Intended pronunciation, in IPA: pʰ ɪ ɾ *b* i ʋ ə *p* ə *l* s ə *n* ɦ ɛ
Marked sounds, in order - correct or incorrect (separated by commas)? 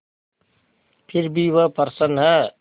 correct, correct, incorrect, correct